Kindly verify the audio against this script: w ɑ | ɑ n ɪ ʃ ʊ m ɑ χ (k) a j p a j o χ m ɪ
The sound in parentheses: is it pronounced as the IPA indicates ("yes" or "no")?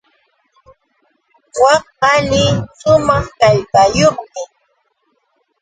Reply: yes